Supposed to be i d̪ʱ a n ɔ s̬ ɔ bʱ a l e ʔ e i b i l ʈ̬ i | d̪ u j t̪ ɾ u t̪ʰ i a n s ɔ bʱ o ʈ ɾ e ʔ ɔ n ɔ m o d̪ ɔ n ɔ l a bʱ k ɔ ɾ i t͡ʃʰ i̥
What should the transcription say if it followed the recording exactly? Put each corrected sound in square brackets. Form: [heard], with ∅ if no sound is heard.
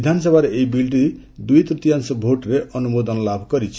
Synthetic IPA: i d̪ʱ a n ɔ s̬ ɔ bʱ a [ɾ] e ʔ e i b i l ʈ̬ i | d̪ u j t̪ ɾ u [t̪] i a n s ɔ bʱ o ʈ ɾ e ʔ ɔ n [u] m o d̪ ɔ n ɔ l a bʱ k ɔ ɾ i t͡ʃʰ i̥